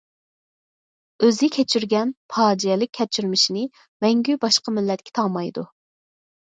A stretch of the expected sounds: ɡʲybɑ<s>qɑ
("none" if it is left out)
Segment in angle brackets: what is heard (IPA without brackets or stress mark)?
ʃ